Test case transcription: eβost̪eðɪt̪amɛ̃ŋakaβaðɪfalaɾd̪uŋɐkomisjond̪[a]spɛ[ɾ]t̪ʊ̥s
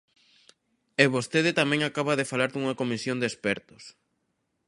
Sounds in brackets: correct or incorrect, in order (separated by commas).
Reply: incorrect, correct